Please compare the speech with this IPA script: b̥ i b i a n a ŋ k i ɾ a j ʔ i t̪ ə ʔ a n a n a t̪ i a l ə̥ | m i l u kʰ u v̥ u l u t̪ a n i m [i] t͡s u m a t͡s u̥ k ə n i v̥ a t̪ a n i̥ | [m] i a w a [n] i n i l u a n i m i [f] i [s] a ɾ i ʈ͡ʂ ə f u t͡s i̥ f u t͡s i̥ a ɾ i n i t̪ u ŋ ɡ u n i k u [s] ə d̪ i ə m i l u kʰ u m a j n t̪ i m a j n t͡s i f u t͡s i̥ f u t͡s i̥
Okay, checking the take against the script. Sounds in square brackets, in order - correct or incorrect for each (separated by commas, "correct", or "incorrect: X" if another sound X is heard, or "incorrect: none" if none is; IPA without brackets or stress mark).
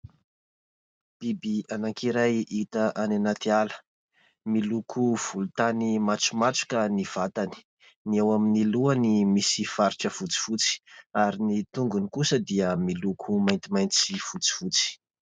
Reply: incorrect: a, incorrect: n, incorrect: m, incorrect: s, incorrect: f, correct